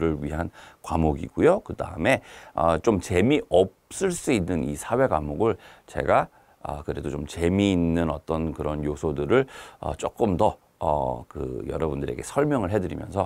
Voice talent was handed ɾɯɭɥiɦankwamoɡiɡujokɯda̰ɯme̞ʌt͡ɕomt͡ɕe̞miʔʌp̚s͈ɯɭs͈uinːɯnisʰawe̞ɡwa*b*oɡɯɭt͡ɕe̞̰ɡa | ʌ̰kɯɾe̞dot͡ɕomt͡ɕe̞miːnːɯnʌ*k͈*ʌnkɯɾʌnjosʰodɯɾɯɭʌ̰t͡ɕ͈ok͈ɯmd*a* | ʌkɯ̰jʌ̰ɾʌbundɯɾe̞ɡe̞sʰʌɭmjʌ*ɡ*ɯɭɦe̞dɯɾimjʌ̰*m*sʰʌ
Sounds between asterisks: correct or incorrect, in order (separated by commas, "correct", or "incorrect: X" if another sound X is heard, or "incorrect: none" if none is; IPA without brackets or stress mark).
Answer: incorrect: m, incorrect: t͈, incorrect: ʌ, incorrect: ŋ, incorrect: n